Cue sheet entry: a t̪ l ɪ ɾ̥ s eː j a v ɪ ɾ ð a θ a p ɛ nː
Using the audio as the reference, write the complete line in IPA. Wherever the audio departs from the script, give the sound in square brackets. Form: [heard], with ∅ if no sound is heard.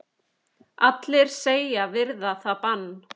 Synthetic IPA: a t̪ l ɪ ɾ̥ s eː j a v ɪ ɾ ð a θ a p [a] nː